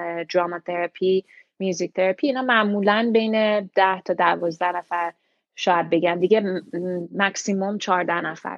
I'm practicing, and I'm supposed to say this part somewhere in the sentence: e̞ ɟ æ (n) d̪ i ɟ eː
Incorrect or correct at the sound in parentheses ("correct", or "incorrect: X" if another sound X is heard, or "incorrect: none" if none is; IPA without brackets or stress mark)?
correct